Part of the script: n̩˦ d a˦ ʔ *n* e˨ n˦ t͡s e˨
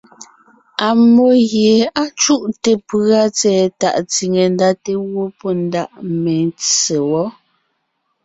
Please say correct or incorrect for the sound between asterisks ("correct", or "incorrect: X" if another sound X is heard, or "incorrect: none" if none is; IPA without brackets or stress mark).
incorrect: m